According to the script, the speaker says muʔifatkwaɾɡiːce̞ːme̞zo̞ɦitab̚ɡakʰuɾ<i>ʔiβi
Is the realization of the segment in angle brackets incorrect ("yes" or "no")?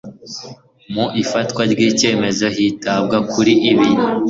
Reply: no